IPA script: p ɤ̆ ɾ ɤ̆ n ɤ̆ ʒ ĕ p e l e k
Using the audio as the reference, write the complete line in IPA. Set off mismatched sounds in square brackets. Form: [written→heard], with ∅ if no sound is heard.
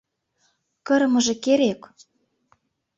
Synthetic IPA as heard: [p→k] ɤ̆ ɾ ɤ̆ [n→m] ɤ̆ ʒ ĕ [p→k] e [l→ɾ] e k